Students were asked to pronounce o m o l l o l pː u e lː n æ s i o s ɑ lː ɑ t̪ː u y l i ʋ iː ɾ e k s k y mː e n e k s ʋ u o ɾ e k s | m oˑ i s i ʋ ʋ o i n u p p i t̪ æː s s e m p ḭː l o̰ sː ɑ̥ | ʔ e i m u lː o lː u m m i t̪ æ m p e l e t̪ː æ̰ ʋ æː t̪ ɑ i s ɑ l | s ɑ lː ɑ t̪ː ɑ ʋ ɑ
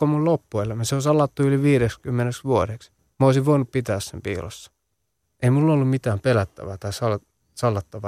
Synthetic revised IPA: o m u l l o pː u e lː m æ s e o s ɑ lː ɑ t̪ː u y l i ʋ iː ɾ e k s k y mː e n e k s ʋ u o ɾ e k s | m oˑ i s i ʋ ʋ o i n u p p i t̪ æː s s e m p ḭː l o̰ sː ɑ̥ | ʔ e i m u lː o lː u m m i t̪ æː m p e l æ t̪ː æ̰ ʋ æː t̪ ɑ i s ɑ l | s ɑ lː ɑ t̪ː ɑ ʋ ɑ